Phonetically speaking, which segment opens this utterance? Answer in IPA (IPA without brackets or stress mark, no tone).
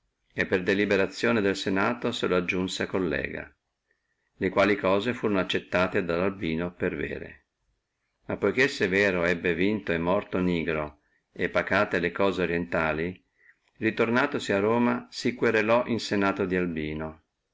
e